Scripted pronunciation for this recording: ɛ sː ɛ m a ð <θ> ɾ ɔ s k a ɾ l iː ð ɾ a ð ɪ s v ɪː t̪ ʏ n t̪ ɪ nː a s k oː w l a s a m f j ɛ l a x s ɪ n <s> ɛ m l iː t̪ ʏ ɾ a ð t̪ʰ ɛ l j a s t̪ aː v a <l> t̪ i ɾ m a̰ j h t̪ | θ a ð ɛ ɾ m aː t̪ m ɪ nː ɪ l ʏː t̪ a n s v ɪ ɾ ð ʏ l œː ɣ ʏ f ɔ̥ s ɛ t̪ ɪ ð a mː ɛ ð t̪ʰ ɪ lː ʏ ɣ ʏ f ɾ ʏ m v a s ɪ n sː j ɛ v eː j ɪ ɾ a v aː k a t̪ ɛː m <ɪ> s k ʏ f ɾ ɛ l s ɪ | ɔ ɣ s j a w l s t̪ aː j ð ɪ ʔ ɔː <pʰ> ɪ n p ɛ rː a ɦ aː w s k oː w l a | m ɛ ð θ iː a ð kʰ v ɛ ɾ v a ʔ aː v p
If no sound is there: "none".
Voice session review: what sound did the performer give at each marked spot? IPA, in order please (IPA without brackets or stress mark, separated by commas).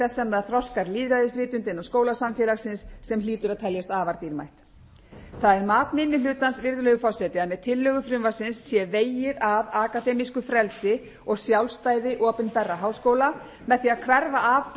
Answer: θ, sː, ɾ, i, p